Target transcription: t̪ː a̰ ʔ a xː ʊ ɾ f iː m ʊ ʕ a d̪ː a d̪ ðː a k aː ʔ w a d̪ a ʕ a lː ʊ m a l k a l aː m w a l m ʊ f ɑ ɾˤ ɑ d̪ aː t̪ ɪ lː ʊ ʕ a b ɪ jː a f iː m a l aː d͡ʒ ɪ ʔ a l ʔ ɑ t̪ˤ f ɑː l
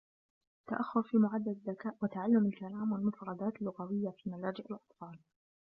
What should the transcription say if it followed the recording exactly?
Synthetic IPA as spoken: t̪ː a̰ ʔ a xː ʊ ɾ f iː m ʊ ʕ a d̪ː a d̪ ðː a k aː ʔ w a t̪ a ʕ a lː ʊ m a l k a l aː m w a l m ʊ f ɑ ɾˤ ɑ d̪ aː t̪ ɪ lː ʊ ɣ a w ɪ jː a f iː m a l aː d͡ʒ ɪ ʔ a l ʔ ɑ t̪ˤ f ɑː l